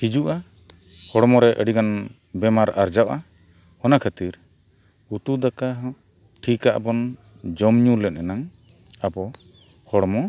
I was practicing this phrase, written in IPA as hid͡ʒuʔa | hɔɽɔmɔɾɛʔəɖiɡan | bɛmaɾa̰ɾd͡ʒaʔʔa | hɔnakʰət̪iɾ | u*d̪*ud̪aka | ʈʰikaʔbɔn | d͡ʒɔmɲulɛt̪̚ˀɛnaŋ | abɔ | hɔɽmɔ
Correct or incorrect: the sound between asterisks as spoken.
incorrect: t̪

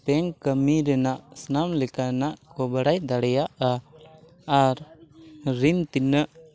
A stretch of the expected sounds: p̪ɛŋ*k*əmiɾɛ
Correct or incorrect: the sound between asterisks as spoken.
correct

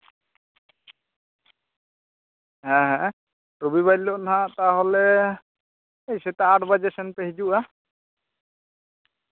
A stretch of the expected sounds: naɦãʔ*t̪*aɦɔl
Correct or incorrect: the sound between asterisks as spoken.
correct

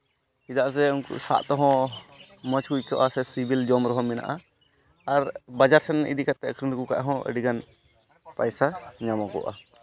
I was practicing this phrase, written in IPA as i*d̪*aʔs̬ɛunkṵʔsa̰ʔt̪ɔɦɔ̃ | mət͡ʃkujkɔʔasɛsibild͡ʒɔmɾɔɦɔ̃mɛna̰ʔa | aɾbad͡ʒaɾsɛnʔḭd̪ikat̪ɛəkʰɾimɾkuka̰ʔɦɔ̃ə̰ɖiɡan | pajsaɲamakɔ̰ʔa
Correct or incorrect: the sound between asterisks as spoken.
correct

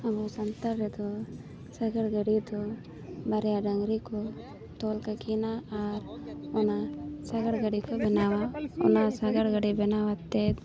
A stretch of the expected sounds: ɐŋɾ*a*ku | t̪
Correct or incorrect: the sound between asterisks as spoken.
incorrect: i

